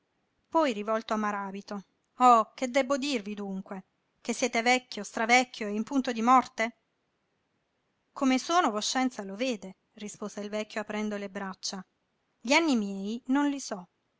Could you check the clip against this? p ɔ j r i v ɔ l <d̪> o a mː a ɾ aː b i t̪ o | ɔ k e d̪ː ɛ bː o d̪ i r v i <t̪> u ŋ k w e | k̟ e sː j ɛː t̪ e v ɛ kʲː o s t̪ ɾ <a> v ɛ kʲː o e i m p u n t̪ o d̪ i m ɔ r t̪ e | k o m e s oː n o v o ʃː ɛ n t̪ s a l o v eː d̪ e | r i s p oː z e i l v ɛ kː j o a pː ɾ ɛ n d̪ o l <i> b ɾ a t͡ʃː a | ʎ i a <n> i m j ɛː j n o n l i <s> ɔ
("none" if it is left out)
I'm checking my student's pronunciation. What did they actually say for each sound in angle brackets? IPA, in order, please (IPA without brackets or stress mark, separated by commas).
t̪, d̪, a, e, nː, s